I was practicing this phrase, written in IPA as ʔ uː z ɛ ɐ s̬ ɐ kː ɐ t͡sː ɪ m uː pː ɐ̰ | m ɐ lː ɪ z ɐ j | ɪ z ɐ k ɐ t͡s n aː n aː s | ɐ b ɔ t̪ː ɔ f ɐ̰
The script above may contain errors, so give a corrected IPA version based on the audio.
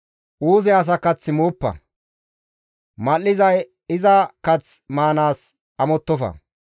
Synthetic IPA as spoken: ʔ uː z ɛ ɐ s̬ ɐ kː ɐ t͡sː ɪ m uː pː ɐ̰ | m ɐ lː ɪ z ɐ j | ɪ z ɐ k ɐ t͡s m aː n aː s | ɐ m ɔ t̪ː ɔ f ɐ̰